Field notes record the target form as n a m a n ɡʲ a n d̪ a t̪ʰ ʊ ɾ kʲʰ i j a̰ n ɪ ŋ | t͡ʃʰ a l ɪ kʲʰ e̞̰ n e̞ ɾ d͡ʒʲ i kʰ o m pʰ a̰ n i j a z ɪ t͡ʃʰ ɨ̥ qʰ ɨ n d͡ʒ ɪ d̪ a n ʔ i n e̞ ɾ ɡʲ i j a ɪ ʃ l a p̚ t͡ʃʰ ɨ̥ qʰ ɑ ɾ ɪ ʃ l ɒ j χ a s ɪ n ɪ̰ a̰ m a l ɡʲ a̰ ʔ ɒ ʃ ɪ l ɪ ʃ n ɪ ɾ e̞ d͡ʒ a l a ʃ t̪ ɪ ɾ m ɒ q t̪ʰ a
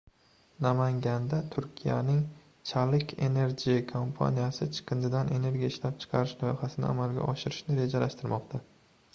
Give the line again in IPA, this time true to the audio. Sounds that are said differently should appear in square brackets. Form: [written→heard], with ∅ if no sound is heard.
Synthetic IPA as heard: n a m a [n→ŋ] ɡʲ a n d̪ a t̪ʰ ʊ ɾ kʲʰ i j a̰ n ɪ ŋ | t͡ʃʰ a l ɪ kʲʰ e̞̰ n e̞ ɾ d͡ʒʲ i kʰ o m pʰ a̰ n i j a [z→s] ɪ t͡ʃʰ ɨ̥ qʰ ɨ n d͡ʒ ɪ d̪ a n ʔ [i→e] n e̞ ɾ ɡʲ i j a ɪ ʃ l a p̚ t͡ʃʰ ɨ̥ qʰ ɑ ɾ ɪ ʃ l ɒ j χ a s ɪ n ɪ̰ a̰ m a l ɡʲ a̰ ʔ ɒ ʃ ɪ [l→ɾ] ɪ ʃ n ɪ ɾ e̞ d͡ʒ a l a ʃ t̪ ɪ ɾ m ɒ q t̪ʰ a